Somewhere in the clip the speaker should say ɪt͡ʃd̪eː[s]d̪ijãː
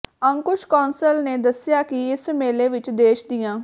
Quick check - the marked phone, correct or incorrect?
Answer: incorrect